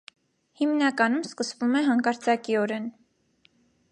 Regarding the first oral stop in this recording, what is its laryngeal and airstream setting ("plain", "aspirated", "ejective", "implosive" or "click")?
plain